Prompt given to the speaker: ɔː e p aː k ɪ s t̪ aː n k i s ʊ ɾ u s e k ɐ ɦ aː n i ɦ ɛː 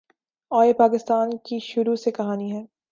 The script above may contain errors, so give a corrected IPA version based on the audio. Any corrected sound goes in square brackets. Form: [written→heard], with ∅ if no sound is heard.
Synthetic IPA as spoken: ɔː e p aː k ɪ s t̪ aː n k i [s→ʃ] ʊ ɾ u s e k ɐ ɦ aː n i ɦ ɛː